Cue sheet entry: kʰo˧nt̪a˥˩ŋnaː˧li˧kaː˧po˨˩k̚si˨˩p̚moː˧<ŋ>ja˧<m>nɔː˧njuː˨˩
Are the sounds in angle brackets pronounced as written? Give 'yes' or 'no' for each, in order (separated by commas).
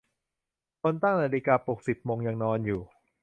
yes, no